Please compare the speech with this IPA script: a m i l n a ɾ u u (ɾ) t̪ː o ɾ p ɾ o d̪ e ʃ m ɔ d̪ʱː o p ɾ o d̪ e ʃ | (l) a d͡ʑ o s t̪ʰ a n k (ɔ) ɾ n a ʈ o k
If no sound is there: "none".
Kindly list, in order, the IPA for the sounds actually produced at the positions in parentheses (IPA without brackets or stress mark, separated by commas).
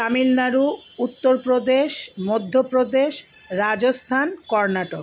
none, ɾ, ɔ